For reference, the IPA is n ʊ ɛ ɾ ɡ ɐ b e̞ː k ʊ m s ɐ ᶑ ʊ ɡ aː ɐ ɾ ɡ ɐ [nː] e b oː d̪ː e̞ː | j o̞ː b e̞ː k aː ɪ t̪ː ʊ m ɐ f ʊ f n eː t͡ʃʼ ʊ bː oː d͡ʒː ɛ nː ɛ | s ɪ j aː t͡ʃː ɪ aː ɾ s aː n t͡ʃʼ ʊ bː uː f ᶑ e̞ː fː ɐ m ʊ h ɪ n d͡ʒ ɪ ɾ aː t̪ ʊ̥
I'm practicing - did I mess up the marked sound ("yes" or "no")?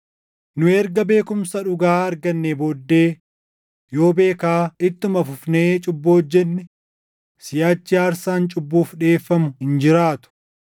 no